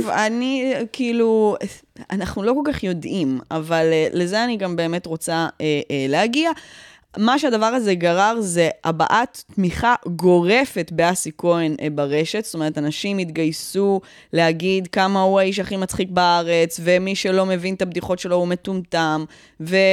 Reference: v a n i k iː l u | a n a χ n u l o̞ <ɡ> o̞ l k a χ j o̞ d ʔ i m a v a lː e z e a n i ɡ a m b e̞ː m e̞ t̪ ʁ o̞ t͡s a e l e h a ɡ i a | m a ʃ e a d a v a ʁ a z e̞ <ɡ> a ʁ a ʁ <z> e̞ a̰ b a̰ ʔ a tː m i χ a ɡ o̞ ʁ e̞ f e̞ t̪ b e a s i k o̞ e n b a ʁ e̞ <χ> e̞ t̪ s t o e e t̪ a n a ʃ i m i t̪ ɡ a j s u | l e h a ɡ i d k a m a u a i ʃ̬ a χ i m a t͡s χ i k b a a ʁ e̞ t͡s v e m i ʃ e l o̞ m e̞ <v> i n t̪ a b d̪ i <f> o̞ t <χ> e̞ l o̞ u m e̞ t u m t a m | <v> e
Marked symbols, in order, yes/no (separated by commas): no, yes, yes, no, yes, no, no, yes